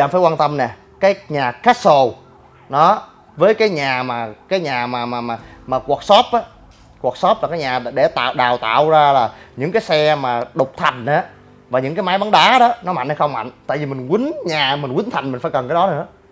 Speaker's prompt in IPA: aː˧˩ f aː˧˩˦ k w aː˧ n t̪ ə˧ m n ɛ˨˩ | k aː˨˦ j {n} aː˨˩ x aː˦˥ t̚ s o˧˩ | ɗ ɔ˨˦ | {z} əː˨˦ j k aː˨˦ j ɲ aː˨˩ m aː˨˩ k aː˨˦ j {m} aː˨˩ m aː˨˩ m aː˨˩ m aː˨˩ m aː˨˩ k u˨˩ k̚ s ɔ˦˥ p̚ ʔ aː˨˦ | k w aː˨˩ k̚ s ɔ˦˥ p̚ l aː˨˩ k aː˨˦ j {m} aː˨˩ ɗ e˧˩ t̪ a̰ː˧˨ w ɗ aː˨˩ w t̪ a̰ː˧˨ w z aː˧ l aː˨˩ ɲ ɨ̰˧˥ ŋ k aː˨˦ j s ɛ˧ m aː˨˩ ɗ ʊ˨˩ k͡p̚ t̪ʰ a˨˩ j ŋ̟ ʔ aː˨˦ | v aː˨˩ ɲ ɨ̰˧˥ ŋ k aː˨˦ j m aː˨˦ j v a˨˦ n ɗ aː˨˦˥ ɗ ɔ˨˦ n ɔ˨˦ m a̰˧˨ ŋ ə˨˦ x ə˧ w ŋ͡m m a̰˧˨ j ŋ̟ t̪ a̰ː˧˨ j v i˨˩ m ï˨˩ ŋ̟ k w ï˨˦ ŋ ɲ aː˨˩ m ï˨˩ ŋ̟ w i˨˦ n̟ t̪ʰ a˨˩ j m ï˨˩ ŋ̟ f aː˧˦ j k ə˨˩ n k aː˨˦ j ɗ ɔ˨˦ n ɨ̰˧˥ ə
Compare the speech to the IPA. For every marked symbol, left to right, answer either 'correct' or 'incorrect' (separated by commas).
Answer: incorrect, incorrect, incorrect, incorrect